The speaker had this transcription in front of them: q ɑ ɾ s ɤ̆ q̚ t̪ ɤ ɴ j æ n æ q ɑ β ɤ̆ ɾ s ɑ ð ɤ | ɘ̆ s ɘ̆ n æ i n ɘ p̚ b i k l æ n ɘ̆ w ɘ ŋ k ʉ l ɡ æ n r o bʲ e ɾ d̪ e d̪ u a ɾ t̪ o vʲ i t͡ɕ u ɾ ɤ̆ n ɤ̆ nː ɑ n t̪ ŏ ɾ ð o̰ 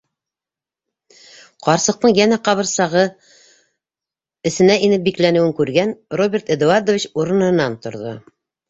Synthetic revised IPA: q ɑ ɾ s ɤ̆ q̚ t̪ ɤ ɴ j æ n æ q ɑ β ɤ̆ ɾ s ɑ ʁ ɤ | ɘ̆ s ɘ̆ n æ i n ɘ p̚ b i k l æ n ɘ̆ w ɘ ŋ k ʉ ɾ ɡ æ n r o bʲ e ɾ t̪ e d̪ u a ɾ d̪ o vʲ i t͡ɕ u ɾ ɤ̆ n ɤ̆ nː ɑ n t̪ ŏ ɾ ð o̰